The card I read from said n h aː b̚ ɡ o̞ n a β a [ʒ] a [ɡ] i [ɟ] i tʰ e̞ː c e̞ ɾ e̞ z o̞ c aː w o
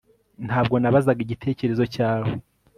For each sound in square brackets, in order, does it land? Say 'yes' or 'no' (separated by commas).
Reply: no, yes, yes